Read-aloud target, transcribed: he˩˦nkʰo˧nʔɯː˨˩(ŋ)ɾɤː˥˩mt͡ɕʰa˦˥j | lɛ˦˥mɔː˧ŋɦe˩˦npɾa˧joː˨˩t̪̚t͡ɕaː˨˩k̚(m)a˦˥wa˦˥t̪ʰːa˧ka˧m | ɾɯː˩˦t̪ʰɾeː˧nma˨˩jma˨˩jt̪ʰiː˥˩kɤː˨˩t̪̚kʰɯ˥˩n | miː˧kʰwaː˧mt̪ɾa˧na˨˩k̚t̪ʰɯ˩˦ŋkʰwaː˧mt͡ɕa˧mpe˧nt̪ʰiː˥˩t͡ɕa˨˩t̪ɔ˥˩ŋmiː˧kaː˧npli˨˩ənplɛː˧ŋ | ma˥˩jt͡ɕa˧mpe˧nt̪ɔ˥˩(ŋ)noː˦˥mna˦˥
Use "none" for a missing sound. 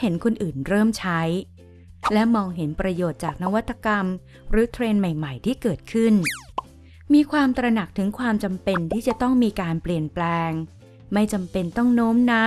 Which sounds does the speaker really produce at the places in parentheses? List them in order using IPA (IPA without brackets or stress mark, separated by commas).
n, n, ŋ